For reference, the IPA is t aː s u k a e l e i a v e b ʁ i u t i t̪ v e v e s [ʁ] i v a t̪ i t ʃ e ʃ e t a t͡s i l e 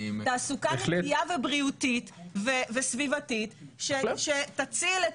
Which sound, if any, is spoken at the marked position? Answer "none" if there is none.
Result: v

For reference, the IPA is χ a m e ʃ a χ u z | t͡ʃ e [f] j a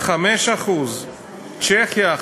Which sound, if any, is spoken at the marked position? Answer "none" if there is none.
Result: χ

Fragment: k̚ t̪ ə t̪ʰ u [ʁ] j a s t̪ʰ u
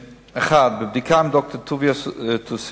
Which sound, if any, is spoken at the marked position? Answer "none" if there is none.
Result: v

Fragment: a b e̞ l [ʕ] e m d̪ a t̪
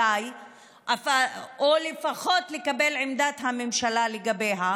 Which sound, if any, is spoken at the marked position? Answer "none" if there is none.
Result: ʕ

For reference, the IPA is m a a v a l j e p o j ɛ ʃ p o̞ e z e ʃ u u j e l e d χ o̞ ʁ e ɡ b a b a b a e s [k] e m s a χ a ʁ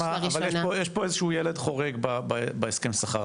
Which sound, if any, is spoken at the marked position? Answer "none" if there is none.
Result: k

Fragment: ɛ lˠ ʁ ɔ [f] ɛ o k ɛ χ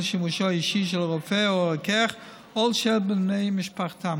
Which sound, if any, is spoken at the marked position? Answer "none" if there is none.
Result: f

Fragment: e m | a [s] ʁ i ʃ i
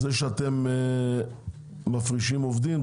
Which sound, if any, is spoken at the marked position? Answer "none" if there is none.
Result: f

